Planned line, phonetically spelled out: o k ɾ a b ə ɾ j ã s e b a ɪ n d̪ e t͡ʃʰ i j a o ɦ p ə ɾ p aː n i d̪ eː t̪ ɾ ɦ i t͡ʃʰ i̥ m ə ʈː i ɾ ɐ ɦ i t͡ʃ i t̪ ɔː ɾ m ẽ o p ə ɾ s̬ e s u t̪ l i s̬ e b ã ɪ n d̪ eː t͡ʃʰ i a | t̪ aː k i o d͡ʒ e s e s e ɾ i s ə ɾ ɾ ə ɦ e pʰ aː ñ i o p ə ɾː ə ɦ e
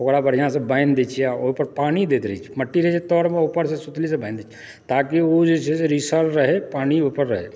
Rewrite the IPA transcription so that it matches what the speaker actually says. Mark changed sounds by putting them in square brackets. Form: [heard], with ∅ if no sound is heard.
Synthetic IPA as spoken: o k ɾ a b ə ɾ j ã s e b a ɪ n d̪ e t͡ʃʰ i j a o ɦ p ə ɾ p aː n i d̪ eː t̪ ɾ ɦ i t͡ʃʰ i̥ m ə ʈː i ɾ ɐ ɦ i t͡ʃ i t̪ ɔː ɾ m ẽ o p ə ɾ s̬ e s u t̪ l i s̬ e b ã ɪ n d̪ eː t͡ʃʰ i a | t̪ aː k i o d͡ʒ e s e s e ɾ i s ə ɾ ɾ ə ɦ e [p] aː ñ i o p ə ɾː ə ɦ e